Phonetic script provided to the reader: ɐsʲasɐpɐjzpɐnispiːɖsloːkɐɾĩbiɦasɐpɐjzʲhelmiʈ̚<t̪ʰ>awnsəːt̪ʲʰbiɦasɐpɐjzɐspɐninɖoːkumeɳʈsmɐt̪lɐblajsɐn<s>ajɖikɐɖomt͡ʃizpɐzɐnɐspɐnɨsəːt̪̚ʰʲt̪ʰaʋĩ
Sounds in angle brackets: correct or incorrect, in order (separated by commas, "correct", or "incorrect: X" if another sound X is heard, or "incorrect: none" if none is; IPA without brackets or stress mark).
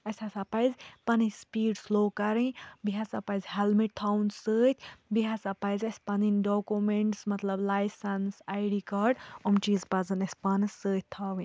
correct, correct